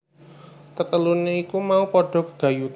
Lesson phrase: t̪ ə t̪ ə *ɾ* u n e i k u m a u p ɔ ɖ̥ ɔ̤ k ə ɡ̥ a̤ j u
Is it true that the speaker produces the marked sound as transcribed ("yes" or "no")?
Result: no